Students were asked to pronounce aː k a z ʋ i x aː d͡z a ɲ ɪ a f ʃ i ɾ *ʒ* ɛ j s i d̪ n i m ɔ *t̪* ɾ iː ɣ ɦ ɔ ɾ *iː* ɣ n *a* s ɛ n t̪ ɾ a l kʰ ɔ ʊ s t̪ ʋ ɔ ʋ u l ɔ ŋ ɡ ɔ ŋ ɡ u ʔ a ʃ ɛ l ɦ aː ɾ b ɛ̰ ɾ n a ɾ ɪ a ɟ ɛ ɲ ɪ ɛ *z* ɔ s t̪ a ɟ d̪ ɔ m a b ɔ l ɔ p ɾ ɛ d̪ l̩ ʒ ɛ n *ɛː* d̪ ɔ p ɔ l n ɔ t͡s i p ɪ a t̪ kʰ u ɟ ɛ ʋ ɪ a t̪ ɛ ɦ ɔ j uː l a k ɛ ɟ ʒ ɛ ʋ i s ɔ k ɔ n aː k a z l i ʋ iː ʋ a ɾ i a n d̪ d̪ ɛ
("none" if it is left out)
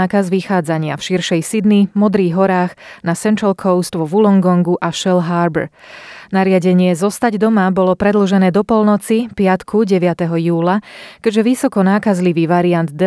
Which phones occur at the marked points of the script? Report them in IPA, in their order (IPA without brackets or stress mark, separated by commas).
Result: ʃ, d̪, aː, a, z, ɛː